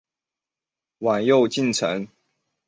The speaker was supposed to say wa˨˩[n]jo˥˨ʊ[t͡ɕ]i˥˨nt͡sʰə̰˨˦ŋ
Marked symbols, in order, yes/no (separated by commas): yes, yes